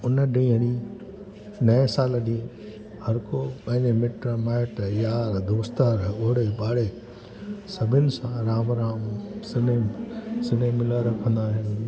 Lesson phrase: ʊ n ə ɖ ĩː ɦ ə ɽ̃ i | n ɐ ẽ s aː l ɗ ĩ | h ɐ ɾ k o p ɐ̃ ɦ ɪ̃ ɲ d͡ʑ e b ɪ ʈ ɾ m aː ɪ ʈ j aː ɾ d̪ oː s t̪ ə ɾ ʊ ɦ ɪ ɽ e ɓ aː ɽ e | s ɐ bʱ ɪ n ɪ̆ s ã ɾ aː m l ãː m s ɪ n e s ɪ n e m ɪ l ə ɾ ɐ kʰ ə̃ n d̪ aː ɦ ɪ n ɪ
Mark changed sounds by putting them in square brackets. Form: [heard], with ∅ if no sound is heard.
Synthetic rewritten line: ʊ n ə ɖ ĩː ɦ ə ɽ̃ i | n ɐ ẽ s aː l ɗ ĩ | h ɐ ɾ k o p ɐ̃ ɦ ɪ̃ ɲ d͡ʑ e [m] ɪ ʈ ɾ m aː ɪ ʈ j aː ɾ d̪ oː s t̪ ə ɾ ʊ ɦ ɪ ɽ e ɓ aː ɽ e | s ɐ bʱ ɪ n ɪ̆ s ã ɾ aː m [ɾ] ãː m s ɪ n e s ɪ n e m ɪ l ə ɾ ɐ kʰ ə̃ n d̪ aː ɦ ɪ n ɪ